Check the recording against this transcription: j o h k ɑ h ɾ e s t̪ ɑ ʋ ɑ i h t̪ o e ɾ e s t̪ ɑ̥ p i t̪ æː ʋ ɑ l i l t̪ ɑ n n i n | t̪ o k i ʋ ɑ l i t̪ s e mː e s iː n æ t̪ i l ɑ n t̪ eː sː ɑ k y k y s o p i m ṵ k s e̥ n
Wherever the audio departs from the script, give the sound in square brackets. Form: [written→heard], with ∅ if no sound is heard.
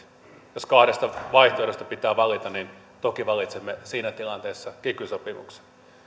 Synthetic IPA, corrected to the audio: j o [h→s] k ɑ h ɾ e s t̪ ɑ ʋ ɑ i h t̪ o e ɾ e s t̪ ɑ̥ p i t̪ æː ʋ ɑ l i [l→∅] t̪ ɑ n n i n | t̪ o k i ʋ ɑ l i t̪ s e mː e s iː n æ t̪ i l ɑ n t̪ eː sː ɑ k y k y s o p i m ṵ k s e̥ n